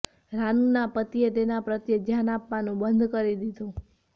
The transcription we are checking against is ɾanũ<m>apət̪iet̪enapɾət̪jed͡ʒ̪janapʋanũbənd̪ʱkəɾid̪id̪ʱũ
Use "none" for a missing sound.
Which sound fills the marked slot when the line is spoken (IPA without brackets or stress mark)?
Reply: n